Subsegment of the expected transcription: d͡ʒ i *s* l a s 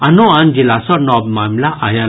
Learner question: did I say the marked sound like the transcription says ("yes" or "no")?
no